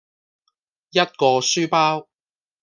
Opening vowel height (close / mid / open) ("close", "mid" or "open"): open